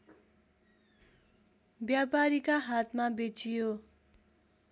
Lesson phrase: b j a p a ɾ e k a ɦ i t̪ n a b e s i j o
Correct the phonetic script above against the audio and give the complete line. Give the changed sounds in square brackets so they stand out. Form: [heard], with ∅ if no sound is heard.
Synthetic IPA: b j a p a ɾ [i] k a ɦ [a] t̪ [m] a b e [t͡s] i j o